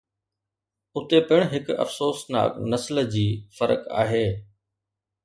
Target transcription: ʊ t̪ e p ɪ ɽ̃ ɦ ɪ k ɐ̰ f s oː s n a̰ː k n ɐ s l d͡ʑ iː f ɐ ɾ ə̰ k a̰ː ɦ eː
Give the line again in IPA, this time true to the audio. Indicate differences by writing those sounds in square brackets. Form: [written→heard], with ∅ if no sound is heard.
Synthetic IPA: ʊ t̪ e p ɪ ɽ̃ ɦ ɪ k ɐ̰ f s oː s n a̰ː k n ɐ s l d͡ʑ iː f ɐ ɾ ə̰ k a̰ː ɦ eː